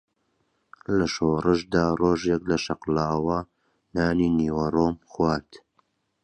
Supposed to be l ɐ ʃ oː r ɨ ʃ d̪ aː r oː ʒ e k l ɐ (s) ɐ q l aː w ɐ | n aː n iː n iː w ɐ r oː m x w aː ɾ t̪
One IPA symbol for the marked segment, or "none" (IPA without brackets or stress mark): ʃ